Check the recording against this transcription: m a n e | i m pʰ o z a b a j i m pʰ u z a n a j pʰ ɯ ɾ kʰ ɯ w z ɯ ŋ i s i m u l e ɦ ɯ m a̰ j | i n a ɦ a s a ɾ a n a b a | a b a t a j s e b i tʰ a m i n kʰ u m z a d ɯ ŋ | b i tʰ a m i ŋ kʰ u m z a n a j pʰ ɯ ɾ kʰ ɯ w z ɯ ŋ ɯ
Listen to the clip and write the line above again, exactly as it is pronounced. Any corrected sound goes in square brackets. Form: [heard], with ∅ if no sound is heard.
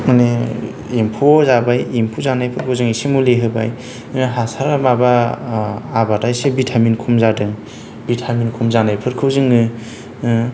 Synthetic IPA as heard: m a n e | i m pʰ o z a b a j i m pʰ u z a n a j pʰ ɯ ɾ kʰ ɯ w z ɯ ŋ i s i m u l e ɦ ɯ [b] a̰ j | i n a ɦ a s a ɾ a [m] a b a | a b a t a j s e b i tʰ a m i n kʰ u m z a d ɯ ŋ | b i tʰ a m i [n] kʰ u m z a n a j pʰ ɯ ɾ kʰ ɯ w z ɯ ŋ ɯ

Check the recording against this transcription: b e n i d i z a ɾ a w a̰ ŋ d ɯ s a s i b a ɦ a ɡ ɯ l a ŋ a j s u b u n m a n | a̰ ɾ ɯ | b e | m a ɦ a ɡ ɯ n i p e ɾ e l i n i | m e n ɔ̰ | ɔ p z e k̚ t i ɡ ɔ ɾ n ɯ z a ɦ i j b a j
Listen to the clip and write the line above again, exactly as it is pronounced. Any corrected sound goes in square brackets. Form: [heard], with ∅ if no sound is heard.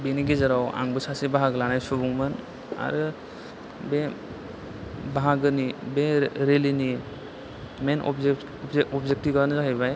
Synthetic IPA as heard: b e n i [ɡ] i z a ɾ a w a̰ ŋ [b] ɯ s a s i b a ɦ a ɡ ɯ l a [n] a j s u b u [ŋ] m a n | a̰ ɾ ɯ | b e | [b] a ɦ a ɡ ɯ n i [b] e ɾ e l i n i | m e n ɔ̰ | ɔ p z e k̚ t i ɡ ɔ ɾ n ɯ z a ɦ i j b a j

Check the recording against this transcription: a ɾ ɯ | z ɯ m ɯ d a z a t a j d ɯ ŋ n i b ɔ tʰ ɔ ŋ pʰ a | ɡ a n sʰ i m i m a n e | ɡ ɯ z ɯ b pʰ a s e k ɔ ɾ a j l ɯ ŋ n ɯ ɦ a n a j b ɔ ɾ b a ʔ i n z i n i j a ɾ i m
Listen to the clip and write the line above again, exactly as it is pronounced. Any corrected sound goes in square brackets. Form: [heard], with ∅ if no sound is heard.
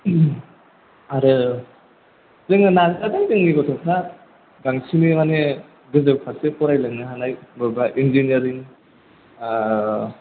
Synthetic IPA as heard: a ɾ ɯ | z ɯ [ŋ] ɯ [n] a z a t a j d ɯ ŋ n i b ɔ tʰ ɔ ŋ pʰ a | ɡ a [ŋ] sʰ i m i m a n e | ɡ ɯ z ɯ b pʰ a s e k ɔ ɾ a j l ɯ ŋ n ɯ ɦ a n a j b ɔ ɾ b a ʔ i n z i n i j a ɾ i [ŋ]

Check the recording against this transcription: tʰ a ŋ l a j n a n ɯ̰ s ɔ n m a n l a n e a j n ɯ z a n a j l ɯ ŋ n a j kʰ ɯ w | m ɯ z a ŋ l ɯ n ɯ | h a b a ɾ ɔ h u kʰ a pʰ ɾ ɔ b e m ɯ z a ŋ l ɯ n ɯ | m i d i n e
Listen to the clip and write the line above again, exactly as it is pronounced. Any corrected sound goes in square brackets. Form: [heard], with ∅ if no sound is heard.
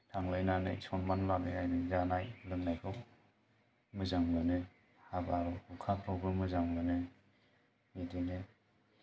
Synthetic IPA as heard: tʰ a ŋ l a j n a n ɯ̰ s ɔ n m a n l a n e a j n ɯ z a n a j l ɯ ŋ n a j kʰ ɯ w | m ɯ z a ŋ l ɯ n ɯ | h a b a ɾ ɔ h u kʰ a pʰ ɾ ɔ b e m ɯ z a ŋ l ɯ n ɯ | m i d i n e

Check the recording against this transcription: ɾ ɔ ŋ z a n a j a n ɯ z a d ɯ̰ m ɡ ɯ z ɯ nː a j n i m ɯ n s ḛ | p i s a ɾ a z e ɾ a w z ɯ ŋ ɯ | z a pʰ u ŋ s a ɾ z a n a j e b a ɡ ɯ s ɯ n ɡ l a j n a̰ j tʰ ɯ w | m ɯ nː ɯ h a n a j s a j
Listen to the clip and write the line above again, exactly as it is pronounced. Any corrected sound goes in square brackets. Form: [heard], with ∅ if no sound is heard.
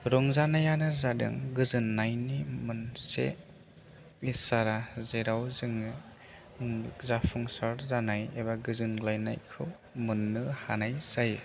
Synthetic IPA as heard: ɾ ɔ ŋ z a n a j a n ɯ z a d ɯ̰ [ŋ] ɡ ɯ z ɯ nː a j n i m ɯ n s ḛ | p i s a ɾ a z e ɾ a w z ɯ ŋ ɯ | z a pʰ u ŋ s a ɾ z a n a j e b a ɡ ɯ [z] ɯ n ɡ l a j n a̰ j [kʰ] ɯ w | m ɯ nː ɯ h a n a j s a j

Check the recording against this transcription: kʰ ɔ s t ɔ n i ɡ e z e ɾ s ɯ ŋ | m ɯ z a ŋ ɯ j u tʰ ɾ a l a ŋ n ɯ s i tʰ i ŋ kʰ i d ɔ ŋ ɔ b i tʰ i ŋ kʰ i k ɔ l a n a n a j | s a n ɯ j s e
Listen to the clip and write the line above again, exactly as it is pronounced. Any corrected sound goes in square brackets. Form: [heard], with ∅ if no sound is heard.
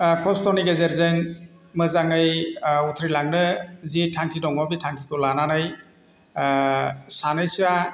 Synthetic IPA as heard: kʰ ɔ s t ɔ n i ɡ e z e ɾ [z] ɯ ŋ | m ɯ z a ŋ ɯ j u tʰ ɾ [i] l a ŋ n ɯ [z] i tʰ [a] ŋ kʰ i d ɔ ŋ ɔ b i tʰ [a] ŋ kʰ i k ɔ l a n a n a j | s a n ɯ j s [a]

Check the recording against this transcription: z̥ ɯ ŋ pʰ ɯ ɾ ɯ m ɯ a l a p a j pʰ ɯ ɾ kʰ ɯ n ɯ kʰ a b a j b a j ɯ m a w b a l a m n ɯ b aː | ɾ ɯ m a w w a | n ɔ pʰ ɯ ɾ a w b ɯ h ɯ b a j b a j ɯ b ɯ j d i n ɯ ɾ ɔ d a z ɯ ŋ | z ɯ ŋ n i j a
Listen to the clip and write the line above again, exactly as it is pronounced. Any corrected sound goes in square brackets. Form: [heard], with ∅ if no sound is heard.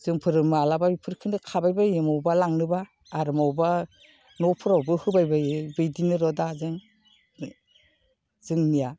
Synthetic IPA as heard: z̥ ɯ ŋ pʰ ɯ ɾ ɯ m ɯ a l a [b] a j pʰ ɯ ɾ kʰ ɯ n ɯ kʰ a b a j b a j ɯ m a w b a l a [ŋ] n ɯ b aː | ɾ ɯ m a w [b] a | n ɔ pʰ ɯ ɾ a w b ɯ h ɯ b a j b a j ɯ b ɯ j d i n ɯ ɾ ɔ d a z ɯ ŋ | z ɯ ŋ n i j a

